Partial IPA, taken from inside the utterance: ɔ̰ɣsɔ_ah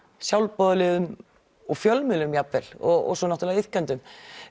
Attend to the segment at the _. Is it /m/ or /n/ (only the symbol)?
n